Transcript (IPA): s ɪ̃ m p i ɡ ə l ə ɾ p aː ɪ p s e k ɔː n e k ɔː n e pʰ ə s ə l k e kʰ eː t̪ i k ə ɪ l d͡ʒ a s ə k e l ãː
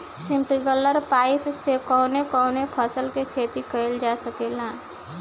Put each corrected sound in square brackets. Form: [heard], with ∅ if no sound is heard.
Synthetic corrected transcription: s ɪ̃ m p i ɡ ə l ə ɾ p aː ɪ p s e k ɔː n e k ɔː n e pʰ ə s ə l k e kʰ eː t̪ i k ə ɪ l d͡ʒ a s ə k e l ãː